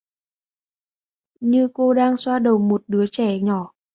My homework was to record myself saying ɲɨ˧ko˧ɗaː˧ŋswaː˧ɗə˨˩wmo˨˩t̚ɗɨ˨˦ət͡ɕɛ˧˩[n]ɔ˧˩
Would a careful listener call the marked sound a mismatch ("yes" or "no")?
yes